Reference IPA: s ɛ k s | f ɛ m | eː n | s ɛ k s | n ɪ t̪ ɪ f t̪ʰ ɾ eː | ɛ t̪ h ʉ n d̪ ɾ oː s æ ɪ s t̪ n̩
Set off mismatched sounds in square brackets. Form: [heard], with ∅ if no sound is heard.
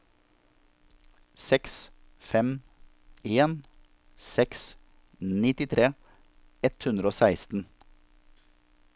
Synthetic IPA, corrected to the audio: s ɛ k s | f ɛ m | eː n | s ɛ k s | n ɪ t̪ ɪ [∅] t̪ʰ ɾ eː | ɛ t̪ h ʉ n d̪ ɾ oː s æ ɪ s t̪ n̩